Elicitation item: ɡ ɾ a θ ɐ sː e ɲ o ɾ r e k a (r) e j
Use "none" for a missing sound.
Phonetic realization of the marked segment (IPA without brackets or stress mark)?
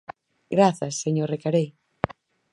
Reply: ɾ